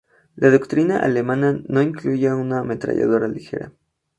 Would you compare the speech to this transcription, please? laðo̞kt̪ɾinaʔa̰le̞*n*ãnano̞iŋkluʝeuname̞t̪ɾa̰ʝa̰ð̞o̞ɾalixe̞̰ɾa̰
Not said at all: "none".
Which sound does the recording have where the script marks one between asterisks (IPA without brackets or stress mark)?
m